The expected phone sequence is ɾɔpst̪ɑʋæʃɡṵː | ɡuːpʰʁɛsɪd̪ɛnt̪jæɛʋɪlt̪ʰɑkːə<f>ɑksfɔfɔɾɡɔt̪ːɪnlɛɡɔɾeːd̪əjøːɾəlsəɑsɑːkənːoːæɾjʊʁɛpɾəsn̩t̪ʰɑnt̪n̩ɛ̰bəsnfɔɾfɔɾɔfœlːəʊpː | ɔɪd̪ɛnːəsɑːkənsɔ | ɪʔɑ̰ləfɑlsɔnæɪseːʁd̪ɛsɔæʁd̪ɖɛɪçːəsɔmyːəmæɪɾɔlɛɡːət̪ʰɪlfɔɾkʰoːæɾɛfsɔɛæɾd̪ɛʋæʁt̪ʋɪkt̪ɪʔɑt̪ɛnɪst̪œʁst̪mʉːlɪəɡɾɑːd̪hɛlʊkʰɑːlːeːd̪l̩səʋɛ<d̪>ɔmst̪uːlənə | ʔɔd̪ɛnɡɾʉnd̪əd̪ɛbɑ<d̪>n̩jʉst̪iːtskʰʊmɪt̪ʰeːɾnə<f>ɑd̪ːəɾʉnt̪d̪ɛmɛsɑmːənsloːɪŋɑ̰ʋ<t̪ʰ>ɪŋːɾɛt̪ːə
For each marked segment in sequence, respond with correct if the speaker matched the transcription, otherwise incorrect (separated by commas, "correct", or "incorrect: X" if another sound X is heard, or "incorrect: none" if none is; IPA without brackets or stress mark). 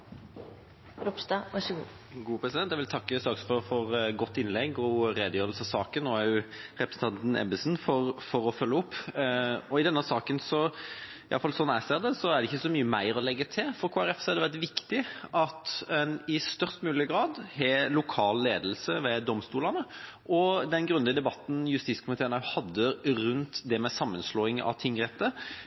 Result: incorrect: s, correct, incorrect: t̪, incorrect: h, correct